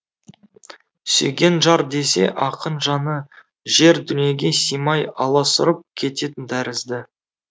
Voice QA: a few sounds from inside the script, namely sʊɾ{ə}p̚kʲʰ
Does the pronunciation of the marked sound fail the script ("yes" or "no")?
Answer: no